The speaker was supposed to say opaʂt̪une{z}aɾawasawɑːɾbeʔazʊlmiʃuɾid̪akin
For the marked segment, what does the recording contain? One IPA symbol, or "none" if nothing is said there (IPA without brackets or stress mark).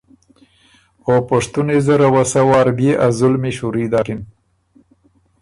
z